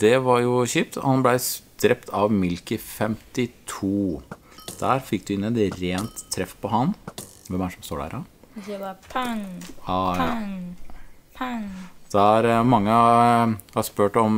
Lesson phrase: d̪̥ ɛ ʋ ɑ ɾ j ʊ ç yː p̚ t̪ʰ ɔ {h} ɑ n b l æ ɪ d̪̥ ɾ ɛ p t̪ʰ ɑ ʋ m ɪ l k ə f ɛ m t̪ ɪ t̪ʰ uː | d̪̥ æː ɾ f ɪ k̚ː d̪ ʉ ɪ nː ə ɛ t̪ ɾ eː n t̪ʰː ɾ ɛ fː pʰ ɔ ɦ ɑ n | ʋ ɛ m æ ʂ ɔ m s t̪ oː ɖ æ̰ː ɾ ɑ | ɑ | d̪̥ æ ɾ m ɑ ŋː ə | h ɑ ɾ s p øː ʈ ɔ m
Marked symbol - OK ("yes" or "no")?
yes